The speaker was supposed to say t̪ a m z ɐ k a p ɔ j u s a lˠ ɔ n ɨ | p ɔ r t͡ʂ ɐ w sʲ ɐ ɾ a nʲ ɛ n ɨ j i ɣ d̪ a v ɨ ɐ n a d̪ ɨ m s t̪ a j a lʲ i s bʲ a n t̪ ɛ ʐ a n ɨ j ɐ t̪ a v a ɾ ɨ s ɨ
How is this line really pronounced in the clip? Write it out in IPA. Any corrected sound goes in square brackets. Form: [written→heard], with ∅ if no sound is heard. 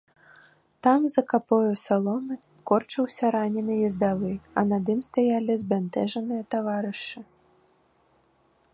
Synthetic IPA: t̪ a m z ɐ k a p ɔ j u s a lˠ ɔ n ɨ | [p→k] ɔ r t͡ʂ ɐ w sʲ ɐ ɾ a nʲ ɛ n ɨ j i [ɣ→z] d̪ a v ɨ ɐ n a d̪ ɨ m s t̪ a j a lʲ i [s→z] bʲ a n t̪ ɛ ʐ [a→ɐ] n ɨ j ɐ t̪ a v a ɾ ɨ [s→ʂ] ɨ